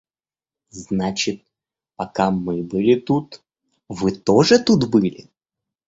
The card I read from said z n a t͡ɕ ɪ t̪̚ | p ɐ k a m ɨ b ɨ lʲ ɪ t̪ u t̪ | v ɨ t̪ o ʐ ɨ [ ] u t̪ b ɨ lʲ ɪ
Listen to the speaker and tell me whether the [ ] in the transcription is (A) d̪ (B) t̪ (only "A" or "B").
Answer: B